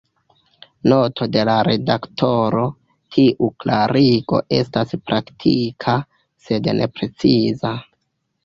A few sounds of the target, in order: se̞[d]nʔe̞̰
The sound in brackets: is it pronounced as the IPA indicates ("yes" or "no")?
yes